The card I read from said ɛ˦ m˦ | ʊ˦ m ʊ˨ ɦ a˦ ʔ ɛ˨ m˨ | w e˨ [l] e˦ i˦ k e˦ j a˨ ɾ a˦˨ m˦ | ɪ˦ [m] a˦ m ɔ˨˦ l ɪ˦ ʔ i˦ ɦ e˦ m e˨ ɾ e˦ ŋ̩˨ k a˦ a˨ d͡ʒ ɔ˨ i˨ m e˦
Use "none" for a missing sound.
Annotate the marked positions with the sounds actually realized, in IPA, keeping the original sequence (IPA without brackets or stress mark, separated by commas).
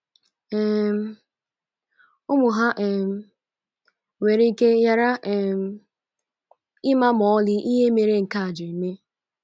ɾ, m